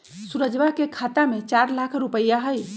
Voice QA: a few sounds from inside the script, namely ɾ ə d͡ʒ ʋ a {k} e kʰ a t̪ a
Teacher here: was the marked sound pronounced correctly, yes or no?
yes